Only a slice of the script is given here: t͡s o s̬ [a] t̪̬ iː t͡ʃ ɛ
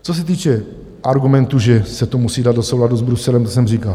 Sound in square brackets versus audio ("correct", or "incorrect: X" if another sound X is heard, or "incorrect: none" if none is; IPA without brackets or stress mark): incorrect: ɛ